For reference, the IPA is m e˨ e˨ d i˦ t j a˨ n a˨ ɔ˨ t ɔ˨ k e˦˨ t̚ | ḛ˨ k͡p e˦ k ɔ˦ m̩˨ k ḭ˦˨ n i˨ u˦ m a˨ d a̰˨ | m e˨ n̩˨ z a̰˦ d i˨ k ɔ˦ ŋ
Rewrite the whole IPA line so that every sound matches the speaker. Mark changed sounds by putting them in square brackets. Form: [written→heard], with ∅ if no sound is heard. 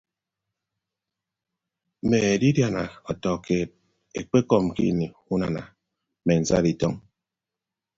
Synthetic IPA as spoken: m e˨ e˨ d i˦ [t→d] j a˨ n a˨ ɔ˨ t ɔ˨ k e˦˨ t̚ | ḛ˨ k͡p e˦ k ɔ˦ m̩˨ k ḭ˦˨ n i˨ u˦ [m→n] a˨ [d→n] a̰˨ | m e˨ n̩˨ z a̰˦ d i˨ [k→t] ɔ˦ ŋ